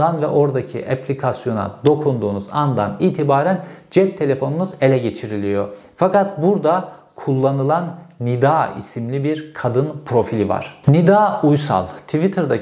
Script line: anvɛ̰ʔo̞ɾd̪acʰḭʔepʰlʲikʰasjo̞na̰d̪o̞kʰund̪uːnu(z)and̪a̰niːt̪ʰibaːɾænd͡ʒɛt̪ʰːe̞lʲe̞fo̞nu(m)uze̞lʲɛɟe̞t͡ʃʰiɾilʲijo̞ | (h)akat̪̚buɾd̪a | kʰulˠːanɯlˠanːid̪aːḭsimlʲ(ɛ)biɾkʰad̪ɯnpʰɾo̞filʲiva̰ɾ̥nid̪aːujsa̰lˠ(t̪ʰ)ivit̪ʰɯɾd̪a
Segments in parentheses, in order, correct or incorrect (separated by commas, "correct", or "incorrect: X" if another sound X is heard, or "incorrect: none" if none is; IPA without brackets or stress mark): correct, incorrect: n, incorrect: f, incorrect: i, correct